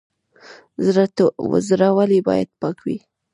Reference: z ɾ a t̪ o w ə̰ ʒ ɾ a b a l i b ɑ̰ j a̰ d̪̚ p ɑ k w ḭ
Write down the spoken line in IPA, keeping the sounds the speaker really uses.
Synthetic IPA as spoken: z ɾ a t̪ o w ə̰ z ɾ a w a l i b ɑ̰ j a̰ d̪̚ p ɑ k w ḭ